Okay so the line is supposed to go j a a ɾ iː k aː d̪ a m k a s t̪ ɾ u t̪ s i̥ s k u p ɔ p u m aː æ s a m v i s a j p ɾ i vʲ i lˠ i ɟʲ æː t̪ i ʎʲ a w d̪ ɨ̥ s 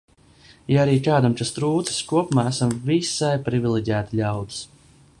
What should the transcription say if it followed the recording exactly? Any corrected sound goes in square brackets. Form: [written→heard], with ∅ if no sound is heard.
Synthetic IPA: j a a ɾ iː k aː d̪ a m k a s t̪ ɾ [u→uː] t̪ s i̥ s k u [p→∅] ɔ p u m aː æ s a m v i s a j p ɾ i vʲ i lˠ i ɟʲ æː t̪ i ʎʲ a w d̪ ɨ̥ s

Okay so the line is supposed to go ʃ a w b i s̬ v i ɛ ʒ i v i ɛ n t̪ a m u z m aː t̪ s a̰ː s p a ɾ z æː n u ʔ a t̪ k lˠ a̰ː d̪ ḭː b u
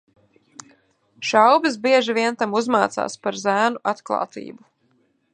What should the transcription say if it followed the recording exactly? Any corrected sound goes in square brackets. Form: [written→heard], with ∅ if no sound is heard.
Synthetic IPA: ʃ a w b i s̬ [v→b] i ɛ ʒ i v i ɛ n t̪ a m u z m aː t̪ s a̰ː s p a ɾ z æː n u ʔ a t̪ k lˠ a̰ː [d̪→t̪] ḭː b u

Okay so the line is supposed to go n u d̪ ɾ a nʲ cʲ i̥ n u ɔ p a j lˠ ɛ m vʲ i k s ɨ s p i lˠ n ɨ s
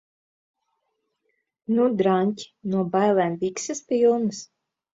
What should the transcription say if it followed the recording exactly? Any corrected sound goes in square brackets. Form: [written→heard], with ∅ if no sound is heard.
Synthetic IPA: n u d̪ ɾ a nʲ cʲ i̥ n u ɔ [p→b] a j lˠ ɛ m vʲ i k s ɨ s p i lˠ n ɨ s

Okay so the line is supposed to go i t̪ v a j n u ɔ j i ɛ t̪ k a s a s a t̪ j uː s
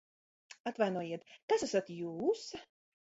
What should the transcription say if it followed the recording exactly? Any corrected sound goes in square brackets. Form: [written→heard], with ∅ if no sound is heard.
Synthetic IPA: [i→a] t̪ v a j n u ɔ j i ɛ t̪ k a s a s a t̪ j uː s

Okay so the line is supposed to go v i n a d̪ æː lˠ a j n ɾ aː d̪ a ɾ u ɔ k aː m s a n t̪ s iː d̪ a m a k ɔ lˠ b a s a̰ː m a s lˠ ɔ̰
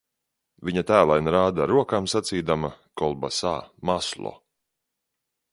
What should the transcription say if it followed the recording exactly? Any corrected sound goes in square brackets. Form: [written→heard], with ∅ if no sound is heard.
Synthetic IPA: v i [n→ɲ] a [d̪→t̪] æː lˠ a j n ɾ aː d̪ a ɾ u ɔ k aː m s a [n→∅] t̪ s iː d̪ a m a k ɔ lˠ b a s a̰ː m a s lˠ ɔ̰

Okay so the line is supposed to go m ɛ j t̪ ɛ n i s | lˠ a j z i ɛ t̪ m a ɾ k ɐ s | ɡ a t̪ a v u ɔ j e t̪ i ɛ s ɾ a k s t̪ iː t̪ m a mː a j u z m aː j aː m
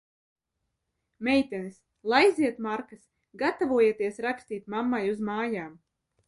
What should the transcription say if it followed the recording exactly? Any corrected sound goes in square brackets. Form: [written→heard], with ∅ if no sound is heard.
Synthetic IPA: m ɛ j t̪ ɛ n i s | lˠ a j z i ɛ t̪ m a ɾ k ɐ s | ɡ a t̪ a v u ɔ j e t̪ i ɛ s ɾ a k s t̪ iː t̪ m a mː a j u z m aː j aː m

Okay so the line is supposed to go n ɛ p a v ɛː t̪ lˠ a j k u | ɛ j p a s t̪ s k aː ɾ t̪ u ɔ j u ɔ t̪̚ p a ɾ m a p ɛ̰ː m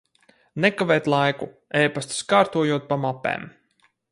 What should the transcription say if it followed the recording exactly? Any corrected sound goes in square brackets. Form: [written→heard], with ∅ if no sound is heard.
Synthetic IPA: n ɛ [p→k] a v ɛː t̪ lˠ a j k u | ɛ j p a s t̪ s k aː ɾ t̪ u ɔ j u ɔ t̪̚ p a [ɾ→∅] m a p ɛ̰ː m

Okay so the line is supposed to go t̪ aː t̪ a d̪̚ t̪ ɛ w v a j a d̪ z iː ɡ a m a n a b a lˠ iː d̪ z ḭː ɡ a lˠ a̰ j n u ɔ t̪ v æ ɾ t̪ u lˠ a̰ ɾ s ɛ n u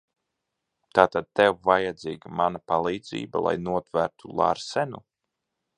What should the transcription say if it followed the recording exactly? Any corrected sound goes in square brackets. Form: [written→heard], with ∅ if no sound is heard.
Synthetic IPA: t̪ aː t̪ a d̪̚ t̪ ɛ w v a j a d̪ z iː ɡ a m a n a [b→p] a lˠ iː d̪ z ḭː [ɡ→b] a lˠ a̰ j n u ɔ t̪ v æ ɾ t̪ u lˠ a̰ ɾ s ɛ n u

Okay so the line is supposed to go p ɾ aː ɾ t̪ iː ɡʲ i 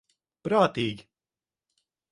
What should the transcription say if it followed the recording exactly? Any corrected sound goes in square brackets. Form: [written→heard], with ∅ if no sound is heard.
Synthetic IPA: p ɾ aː [ɾ→∅] t̪ iː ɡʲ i

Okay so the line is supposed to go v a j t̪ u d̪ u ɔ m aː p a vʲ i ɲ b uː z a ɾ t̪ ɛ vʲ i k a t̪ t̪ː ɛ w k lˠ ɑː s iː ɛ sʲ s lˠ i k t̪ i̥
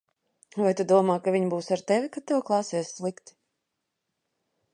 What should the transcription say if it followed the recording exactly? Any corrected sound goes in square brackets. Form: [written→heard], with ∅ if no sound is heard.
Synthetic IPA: v a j t̪ u d̪ u ɔ m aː [p→k] a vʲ i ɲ b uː [z→s] a ɾ t̪ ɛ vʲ i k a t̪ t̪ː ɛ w k lˠ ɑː s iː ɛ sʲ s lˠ i k t̪ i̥

